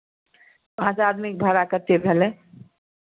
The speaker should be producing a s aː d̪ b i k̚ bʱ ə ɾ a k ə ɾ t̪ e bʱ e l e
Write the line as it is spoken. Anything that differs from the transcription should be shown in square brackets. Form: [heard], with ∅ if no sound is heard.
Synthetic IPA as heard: a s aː d̪ [m] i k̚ bʱ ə ɾ a k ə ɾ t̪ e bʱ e l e